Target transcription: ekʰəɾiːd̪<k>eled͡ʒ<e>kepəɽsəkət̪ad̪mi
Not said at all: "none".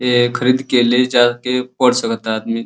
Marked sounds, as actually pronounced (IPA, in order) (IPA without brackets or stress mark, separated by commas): k, a